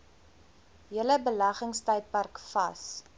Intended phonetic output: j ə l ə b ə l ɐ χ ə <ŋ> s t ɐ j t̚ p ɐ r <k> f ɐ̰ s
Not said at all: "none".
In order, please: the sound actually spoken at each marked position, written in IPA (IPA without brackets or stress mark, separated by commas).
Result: ŋ, k